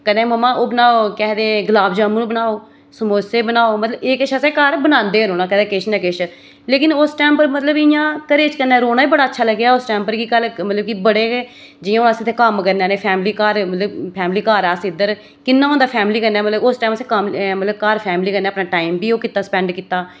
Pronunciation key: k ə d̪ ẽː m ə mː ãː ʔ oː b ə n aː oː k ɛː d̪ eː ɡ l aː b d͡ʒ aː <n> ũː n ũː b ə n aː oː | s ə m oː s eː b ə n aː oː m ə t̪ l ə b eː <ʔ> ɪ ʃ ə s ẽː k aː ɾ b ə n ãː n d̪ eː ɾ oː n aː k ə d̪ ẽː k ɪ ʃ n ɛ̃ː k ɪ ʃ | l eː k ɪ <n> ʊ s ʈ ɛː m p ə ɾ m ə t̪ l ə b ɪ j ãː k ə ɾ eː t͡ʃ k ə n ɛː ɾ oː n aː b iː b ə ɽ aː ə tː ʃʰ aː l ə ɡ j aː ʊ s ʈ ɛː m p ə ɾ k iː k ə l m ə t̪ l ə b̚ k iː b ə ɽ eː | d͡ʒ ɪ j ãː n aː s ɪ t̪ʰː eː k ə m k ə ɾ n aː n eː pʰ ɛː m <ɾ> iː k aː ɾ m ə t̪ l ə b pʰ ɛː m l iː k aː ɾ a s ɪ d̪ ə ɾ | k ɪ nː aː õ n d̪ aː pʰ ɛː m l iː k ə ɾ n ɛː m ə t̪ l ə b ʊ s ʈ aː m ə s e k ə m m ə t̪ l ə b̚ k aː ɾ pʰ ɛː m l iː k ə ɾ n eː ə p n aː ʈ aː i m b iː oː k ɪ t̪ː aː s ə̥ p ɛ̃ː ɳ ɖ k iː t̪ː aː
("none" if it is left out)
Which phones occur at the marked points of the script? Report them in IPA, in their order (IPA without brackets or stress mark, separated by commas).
m, k, n, l